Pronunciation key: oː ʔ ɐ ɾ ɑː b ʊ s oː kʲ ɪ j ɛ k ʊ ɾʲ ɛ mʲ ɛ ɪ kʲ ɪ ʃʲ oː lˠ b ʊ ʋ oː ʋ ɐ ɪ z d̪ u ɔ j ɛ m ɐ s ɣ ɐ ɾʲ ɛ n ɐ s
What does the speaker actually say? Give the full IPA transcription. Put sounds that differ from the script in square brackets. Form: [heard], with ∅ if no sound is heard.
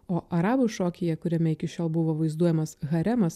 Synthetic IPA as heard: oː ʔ ɐ ɾ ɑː b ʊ [ʃ] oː kʲ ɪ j ɛ k ʊ ɾʲ ɛ mʲ ɛ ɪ kʲ ɪ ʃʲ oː lˠ b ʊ ʋ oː ʋ ɐ ɪ z d̪ u ɔ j ɛ m ɐ s ɣ ɐ ɾʲ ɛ [m] ɐ s